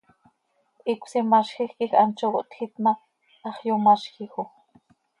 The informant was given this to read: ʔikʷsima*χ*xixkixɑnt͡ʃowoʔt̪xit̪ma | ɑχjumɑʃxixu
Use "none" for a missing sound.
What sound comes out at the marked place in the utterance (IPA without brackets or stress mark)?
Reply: ʃ